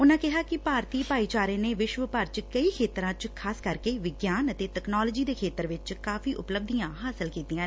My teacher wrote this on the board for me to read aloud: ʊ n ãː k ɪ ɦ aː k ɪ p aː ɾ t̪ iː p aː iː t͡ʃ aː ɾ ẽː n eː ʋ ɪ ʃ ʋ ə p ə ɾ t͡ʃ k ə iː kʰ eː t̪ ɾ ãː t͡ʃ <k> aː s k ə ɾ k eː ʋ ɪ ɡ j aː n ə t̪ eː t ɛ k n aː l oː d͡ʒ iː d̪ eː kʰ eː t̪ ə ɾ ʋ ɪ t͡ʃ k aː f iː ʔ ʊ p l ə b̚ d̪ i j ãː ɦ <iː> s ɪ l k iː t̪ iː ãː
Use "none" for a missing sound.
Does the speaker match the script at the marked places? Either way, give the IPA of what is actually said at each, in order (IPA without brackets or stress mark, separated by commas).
kʰ, aː